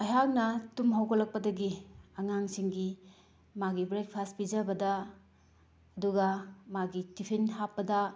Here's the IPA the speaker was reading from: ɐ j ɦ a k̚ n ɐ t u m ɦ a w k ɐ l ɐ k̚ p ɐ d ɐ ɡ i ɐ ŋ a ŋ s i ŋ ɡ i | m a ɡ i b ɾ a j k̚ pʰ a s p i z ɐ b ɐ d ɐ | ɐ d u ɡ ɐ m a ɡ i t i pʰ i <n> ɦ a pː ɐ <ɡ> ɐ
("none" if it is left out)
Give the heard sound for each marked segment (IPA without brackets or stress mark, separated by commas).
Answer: n, d